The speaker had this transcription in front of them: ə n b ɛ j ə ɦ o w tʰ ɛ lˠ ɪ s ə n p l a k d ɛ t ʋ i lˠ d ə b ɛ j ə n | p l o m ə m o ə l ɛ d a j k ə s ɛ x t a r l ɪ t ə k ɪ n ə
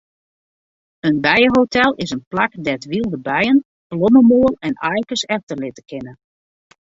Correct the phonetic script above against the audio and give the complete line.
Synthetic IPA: ə n b ɛ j ə ɦ o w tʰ ɛ lˠ ɪ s ə n p l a k d ɛ t ʋ i lˠ d ə b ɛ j ə n | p l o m ə m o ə l ɛ n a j k ə s ɛ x t ə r l ɪ t ə k ɪ n ə

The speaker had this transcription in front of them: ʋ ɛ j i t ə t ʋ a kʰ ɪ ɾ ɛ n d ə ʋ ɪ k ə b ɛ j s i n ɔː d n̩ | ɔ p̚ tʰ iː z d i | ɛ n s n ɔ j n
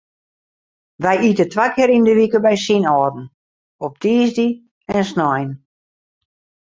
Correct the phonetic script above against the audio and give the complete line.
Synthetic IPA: ʋ ɛ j i t ə t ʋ a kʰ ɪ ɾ i n d ə ʋ i k ə b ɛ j s i n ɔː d n̩ | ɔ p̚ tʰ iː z d i | ɛ n s n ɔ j n

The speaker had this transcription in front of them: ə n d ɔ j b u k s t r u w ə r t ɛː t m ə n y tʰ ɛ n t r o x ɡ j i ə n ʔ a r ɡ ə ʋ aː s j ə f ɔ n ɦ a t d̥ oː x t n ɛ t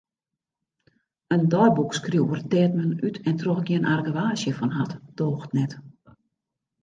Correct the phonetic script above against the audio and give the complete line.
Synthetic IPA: ə n d ɔ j b u k s k r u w ə r t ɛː t m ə n y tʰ ɛ n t r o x ɡ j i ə n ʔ a r ɡ ə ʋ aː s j ə f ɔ n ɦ a t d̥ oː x t n ɛ t

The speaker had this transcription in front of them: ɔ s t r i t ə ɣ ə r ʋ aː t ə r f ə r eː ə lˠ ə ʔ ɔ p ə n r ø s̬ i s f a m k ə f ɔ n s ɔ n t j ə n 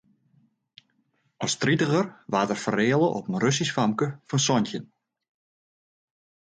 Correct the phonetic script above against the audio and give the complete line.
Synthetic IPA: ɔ s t r i t ə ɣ ə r ʋ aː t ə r f ə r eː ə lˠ ə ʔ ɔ p ə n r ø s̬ i s f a m k ə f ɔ n s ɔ n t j ə n

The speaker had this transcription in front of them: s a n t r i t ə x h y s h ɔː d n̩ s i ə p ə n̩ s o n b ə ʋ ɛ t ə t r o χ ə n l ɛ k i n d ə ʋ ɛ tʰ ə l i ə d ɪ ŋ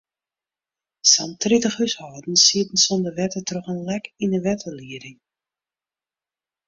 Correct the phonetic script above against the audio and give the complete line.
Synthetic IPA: s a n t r i t ə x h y s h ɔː d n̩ s i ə t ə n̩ s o n d ə ʋ ɛ t ə t r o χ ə n l ɛ k i n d ə ʋ ɛ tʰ ə l i ə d ɪ ŋ

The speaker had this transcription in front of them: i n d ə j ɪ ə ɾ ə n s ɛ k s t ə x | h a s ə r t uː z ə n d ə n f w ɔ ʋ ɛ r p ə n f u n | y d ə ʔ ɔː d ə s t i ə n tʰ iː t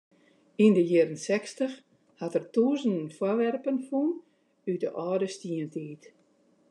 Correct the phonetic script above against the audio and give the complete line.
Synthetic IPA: i n d ə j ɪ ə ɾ ə n s ɛ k s t ə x | h a t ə r t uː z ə n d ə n f w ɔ ʋ ɛ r p ə n f u n | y d ə ʔ ɔː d ə s t i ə n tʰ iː t

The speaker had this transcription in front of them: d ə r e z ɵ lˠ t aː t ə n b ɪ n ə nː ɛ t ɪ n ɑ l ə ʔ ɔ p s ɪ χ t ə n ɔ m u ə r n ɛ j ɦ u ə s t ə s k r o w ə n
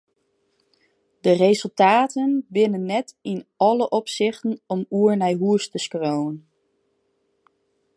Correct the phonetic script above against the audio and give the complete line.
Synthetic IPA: d ə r e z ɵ lˠ t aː t ə n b ɪ n ə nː ɛ t ɪ n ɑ l ə ʔ ɔ p s ɪ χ t ə n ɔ m u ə ɹ n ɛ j ɦ u ə s t ə s k r o w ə n

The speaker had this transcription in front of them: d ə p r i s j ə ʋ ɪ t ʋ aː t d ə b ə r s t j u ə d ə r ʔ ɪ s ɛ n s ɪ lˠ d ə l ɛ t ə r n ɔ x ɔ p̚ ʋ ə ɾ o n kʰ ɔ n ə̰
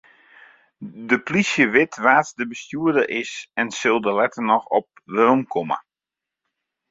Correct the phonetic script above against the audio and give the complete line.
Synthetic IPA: d ə p l i s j ə ʋ ɪ t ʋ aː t d ə b ə s t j u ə d ə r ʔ ɪ s ɛ n s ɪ lˠ d ə l ɛ t ə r n ɔ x ɔ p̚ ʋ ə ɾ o m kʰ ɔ m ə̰

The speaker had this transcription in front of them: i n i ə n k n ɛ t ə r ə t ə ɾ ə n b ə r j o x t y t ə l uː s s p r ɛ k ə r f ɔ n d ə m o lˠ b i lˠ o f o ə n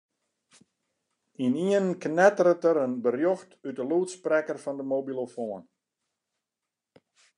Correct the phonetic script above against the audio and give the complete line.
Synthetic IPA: i n i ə n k n ɛ t ə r ə t ə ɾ ə n b ə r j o x t y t ə l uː t s p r ɛ k ə r f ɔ n d ə m o b i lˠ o f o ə n

